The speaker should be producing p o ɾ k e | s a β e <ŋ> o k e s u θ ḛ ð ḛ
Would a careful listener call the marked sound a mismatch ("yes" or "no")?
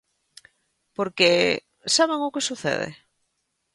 no